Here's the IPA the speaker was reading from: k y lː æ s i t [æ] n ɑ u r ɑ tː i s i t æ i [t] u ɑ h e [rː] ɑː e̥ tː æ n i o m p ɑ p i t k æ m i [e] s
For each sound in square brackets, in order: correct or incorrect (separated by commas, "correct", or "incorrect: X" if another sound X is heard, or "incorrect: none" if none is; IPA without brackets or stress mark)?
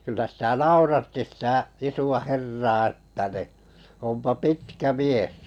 correct, incorrect: s, correct, correct